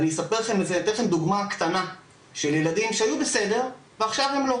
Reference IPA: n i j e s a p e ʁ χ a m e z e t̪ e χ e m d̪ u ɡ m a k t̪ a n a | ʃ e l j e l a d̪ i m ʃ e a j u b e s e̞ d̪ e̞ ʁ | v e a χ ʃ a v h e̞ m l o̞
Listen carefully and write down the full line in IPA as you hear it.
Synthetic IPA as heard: n i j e s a p e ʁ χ e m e z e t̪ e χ e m d̪ u ɡ m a k t̪ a n a | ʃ e l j e l a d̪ i m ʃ e a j u b e s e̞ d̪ e̞ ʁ | v e a χ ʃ a v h e̞ m l o̞